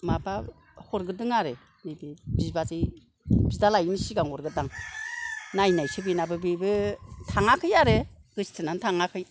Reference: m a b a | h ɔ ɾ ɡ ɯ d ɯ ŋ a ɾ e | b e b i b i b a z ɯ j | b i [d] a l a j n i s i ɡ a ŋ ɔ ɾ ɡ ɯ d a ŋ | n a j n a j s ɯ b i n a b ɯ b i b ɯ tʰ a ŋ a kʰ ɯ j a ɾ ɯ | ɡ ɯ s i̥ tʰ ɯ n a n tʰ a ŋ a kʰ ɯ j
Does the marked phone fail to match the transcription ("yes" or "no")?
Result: no